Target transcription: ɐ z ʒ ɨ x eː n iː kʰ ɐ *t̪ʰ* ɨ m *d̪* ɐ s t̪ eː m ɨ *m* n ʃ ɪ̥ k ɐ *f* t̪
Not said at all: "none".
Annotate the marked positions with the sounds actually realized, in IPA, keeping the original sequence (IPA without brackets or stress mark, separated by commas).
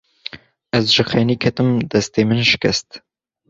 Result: t̪, d̪, none, s